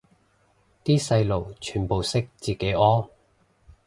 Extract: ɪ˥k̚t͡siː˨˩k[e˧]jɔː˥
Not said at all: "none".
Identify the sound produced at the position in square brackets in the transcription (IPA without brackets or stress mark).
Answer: e˨˥